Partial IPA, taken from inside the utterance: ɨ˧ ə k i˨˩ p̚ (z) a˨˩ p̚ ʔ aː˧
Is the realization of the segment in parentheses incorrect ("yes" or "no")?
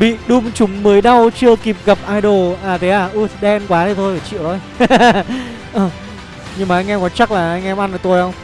yes